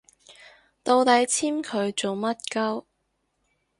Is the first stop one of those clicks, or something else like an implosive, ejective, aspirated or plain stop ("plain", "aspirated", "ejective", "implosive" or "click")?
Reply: plain